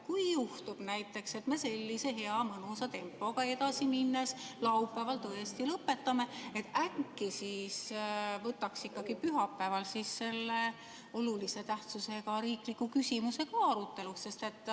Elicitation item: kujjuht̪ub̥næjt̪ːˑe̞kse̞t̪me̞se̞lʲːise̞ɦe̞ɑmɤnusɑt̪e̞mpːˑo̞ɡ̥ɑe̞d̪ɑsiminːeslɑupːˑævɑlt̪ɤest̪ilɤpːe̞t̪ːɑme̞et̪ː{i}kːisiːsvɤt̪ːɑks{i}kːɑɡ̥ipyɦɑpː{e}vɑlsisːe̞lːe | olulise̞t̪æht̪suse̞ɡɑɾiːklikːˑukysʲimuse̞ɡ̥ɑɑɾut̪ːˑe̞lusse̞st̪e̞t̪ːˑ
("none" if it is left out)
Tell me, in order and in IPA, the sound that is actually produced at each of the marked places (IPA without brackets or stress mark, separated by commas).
æ, i, æ